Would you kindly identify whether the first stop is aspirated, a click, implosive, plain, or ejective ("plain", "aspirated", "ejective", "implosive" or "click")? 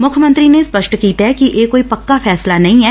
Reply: aspirated